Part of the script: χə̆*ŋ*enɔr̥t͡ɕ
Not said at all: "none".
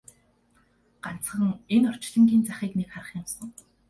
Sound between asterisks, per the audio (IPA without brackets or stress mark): ŋ